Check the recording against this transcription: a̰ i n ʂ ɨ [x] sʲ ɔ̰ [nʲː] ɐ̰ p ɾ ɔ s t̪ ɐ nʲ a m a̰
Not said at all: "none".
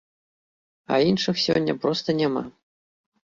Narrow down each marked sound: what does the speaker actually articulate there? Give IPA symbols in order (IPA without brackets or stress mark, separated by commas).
x, nʲː